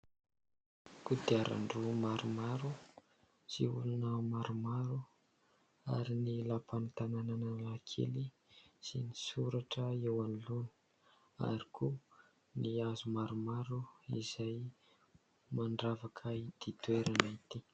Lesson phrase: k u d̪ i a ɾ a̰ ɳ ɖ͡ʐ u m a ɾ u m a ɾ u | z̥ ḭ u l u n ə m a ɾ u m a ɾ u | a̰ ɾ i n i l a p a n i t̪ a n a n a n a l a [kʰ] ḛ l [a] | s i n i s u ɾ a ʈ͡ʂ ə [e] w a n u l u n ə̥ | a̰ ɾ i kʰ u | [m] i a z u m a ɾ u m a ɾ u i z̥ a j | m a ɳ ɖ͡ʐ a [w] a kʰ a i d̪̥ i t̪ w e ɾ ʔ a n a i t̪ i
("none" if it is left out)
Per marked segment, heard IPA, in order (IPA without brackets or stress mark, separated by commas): kʰ, i, e, n, v